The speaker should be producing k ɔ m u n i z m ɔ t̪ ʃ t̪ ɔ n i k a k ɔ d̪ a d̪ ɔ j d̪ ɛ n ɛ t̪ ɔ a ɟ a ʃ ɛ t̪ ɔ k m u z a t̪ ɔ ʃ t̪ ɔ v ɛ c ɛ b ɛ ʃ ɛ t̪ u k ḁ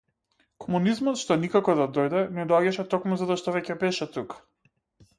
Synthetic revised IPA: k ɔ m u n i z m ɔ t̪ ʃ t̪ ɔ n i k a k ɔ d̪ a d̪ ɔ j d̪ ɛ n ɛ d̪ ɔ a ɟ a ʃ ɛ t̪ ɔ k m u z a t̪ ɔ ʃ t̪ ɔ v ɛ c ɛ b ɛ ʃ ɛ t̪ u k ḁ